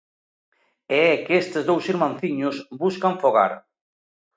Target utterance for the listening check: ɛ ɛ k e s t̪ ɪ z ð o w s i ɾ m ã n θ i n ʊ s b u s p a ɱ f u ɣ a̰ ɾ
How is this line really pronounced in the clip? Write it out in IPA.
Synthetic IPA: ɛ ɛ k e s t̪ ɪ z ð o w s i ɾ m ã n θ i ɲ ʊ s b u s k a ɱ f o ɣ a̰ ɾ